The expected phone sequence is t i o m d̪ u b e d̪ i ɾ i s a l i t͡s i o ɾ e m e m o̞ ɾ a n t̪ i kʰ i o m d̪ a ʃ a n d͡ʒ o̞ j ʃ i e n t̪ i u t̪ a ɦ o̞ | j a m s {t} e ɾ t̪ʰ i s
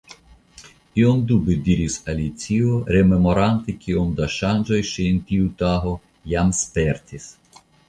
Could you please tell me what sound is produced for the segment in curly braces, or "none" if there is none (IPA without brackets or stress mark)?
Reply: p